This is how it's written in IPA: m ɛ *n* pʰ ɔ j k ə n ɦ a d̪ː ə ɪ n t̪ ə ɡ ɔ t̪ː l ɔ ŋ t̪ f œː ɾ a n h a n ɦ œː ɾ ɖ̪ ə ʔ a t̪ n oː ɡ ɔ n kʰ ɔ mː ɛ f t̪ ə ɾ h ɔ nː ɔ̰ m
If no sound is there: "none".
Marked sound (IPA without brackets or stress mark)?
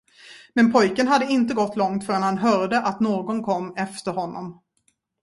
n